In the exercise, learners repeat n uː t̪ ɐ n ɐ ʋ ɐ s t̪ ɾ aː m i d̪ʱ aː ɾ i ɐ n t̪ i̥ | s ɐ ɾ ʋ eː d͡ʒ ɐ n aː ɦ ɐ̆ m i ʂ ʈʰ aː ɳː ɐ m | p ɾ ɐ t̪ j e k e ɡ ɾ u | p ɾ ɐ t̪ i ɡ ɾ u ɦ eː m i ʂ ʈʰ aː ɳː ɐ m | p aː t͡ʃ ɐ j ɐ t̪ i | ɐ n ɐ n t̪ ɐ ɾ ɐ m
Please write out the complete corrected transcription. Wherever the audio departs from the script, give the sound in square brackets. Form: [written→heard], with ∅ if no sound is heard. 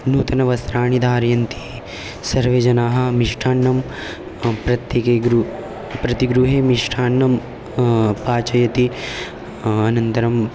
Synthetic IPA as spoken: n uː t̪ ɐ n ɐ ʋ ɐ s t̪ ɾ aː [m→ɳ] i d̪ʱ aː ɾ [i→j] ɐ n t̪ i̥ | s ɐ ɾ ʋ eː d͡ʒ ɐ n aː ɦ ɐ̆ m i ʂ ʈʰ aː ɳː ɐ m | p ɾ ɐ t̪ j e k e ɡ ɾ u | p ɾ ɐ t̪ i ɡ ɾ u ɦ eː m i ʂ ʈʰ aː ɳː ɐ m | p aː t͡ʃ ɐ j ɐ t̪ i | ɐ n ɐ n t̪ ɐ ɾ ɐ m